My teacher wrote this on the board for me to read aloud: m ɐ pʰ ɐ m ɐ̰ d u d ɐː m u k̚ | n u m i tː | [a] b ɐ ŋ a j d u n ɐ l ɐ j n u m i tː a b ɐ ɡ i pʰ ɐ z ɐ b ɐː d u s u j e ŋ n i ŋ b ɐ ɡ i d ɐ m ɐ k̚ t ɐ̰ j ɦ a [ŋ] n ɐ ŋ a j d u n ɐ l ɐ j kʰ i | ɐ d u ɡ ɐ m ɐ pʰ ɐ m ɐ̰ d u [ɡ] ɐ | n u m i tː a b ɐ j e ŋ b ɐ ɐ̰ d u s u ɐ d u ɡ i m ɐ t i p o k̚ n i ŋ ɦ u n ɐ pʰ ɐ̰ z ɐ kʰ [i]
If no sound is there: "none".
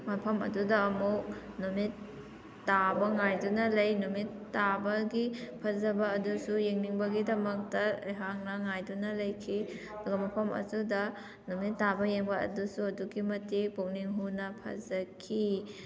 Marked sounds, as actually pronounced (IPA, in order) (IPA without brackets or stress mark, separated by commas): a, ŋ, d, i